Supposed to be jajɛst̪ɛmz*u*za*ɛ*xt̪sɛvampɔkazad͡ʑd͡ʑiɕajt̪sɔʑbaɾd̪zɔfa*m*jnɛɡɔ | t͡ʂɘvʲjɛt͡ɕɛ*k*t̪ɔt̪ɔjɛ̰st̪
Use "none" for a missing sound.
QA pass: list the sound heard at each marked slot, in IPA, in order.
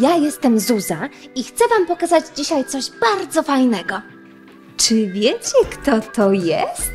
u, i, none, k

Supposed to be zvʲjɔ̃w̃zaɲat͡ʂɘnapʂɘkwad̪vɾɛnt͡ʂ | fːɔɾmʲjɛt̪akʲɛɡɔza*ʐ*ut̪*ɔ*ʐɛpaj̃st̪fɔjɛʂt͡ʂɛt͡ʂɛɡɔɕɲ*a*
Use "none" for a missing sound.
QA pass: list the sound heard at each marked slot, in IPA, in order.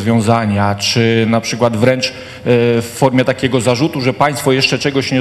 ʐ, u, ɛ

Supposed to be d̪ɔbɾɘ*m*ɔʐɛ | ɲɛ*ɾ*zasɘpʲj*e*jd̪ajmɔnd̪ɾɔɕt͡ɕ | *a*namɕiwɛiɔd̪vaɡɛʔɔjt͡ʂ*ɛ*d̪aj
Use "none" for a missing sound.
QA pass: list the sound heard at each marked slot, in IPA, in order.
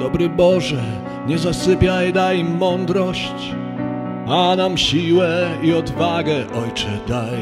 b, none, a, a, ɛ

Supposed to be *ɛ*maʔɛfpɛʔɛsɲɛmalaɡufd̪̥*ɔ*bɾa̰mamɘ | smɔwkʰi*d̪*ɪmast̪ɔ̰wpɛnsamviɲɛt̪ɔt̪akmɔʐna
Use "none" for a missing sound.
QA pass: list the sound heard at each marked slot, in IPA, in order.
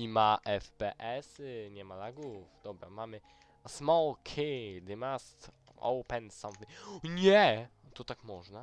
i, ɔ, d̪

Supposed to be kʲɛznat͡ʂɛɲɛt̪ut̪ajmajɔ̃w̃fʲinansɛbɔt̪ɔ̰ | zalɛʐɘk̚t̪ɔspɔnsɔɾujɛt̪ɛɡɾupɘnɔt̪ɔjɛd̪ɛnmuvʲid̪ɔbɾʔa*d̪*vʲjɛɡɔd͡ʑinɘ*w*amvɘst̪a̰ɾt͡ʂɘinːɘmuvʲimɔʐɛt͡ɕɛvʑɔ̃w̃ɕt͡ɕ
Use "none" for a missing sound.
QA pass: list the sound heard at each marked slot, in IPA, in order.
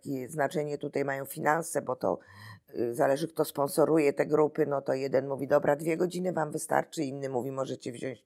d̪, v

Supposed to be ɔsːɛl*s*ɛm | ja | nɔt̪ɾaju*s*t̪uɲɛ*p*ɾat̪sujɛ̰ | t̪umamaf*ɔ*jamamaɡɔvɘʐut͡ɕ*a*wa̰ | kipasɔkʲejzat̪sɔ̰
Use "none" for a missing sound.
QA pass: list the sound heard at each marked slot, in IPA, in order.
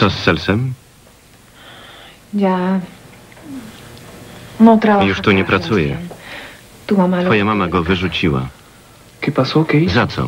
s, ʂ, p, ɔ, i

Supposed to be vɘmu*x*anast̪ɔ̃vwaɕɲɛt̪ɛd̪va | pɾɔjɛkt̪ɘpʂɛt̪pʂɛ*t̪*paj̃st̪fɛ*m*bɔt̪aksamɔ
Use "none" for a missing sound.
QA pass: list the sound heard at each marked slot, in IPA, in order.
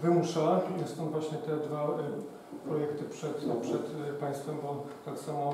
ʂ, t̪, m

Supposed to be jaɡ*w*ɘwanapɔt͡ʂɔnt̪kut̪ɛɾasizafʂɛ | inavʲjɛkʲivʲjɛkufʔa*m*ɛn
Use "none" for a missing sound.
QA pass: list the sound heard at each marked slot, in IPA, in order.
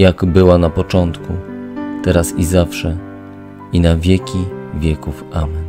b, m

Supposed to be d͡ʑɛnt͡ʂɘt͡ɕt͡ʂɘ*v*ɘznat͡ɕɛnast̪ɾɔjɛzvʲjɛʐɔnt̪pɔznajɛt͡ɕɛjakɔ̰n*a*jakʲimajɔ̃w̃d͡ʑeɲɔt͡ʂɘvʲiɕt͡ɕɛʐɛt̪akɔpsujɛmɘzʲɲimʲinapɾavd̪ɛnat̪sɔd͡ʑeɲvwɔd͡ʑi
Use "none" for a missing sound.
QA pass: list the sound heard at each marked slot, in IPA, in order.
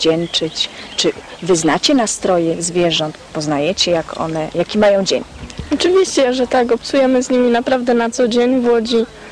v, ɛ

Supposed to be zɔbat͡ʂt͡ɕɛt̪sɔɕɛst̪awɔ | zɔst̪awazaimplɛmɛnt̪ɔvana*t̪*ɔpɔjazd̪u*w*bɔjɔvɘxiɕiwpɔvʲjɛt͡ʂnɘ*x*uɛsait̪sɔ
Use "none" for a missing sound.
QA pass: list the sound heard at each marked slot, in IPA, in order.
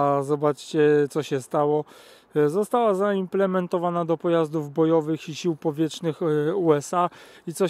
d̪, v, x

